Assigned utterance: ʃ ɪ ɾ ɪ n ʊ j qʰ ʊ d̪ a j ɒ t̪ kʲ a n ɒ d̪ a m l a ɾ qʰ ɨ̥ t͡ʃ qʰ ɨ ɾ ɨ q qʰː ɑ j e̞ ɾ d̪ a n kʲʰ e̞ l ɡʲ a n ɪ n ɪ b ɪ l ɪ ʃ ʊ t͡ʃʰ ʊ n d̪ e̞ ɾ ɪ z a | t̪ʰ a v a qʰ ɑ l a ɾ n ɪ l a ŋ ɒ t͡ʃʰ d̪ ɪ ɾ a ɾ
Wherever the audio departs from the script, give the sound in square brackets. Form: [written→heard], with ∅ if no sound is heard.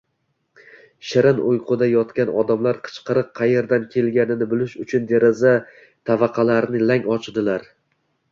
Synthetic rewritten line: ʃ ɪ ɾ ɪ n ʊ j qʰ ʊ d̪ a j ɒ t̪ kʲ a n ɒ d̪ a m l a ɾ qʰ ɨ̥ t͡ʃ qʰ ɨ ɾ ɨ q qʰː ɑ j e̞ ɾ d̪ a n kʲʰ e̞ l ɡʲ a n ɪ n ɪ b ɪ l ɪ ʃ ʊ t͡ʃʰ ʊ n d̪ e̞ ɾ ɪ z a | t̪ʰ a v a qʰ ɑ l a ɾ n ɪ l a ŋ ɒ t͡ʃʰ d̪ ɪ [ɾ→l] a ɾ